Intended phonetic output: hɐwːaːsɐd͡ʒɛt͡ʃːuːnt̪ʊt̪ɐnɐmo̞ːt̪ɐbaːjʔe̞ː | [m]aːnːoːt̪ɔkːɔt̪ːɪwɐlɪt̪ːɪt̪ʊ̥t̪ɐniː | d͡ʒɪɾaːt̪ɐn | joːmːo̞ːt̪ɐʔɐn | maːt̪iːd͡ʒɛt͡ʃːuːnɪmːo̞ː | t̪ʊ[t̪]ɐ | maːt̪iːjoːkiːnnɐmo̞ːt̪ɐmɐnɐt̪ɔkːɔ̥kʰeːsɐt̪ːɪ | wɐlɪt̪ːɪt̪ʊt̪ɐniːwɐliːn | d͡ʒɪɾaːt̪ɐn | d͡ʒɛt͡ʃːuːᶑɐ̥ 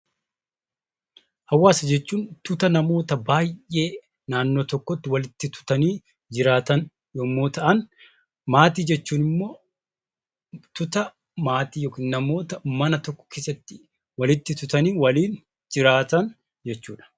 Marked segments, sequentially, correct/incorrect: incorrect, correct

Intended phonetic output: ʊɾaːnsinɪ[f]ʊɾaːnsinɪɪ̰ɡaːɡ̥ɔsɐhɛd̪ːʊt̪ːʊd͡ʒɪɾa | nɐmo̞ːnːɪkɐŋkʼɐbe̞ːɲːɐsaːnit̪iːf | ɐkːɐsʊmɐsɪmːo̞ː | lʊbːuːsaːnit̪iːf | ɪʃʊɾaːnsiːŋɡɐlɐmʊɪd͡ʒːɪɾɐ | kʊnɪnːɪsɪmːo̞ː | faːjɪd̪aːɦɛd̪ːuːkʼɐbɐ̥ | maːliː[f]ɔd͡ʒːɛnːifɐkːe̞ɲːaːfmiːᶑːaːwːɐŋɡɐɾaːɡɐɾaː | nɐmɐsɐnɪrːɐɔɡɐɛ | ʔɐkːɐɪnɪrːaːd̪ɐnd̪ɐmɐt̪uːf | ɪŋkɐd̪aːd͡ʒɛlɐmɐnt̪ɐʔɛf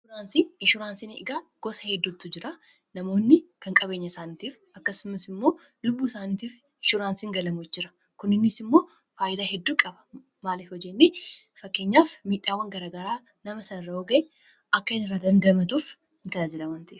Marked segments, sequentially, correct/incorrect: incorrect, correct

